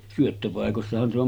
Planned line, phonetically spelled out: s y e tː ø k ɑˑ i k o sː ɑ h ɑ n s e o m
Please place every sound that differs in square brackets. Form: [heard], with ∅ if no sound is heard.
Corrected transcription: s y [ø] tː ø [p] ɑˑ [e] k o sː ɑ h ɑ n s e o m